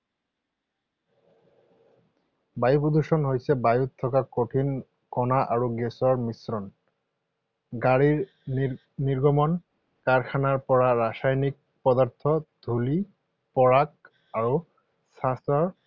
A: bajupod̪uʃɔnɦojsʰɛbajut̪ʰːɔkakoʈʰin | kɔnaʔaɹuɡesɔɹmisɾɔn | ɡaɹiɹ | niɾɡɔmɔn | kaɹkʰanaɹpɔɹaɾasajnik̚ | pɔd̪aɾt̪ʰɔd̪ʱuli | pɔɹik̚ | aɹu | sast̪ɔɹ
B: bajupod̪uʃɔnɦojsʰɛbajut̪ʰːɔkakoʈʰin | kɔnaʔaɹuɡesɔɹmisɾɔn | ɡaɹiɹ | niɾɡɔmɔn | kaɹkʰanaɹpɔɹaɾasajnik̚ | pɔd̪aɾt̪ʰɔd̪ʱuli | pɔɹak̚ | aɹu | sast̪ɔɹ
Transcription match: B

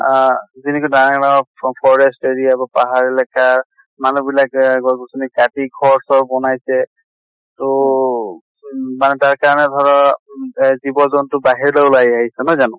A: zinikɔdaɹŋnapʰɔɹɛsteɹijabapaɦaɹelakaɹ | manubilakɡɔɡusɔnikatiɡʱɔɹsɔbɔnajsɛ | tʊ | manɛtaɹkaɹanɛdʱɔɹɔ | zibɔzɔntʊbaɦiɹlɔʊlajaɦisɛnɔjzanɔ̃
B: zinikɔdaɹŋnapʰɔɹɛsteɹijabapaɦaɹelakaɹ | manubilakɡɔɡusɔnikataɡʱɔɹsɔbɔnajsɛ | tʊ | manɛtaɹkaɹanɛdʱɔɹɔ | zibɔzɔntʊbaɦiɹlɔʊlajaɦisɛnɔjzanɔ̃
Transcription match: A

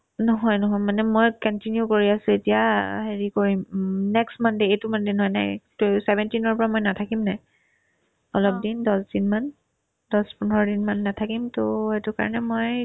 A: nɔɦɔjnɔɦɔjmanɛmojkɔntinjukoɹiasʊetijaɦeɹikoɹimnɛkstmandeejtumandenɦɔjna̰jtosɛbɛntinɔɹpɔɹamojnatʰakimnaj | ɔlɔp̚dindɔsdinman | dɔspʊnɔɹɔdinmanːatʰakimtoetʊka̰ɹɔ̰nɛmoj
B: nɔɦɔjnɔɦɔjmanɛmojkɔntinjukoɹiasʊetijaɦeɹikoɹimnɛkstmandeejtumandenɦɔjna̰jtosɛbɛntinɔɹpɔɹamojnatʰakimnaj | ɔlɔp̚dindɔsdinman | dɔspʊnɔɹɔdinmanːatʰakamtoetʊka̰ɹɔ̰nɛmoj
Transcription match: A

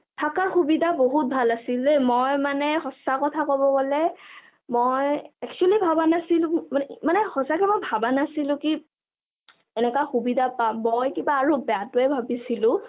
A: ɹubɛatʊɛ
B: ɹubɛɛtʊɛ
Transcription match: A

